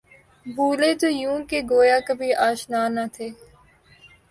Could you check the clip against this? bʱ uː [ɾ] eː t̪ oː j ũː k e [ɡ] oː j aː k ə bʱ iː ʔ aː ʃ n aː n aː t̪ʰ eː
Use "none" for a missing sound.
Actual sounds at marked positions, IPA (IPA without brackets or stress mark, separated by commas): l, ɡ